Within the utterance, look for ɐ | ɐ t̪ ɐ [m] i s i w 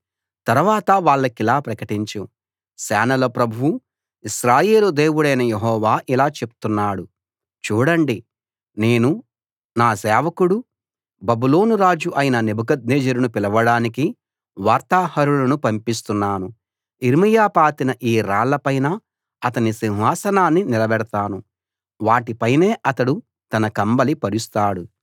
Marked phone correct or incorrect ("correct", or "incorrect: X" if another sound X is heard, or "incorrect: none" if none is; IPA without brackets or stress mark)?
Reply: incorrect: n